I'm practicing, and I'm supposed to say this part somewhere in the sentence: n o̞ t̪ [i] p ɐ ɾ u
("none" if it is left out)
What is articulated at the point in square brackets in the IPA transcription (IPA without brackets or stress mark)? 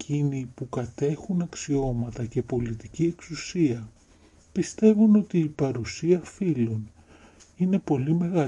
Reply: iː